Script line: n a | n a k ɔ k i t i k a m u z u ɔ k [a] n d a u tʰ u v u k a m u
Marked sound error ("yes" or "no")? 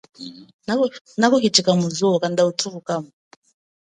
no